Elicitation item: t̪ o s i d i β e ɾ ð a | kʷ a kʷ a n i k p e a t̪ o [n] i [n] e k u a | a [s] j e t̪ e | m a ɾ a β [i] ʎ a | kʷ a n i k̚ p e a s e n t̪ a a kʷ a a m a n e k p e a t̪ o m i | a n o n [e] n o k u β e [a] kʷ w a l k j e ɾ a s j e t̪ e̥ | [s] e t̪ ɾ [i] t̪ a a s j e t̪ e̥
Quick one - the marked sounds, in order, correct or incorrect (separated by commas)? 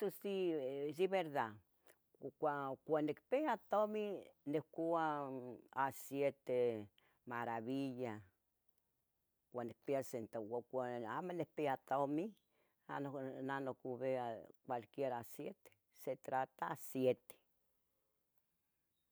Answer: incorrect, correct, correct, correct, incorrect, correct, correct, incorrect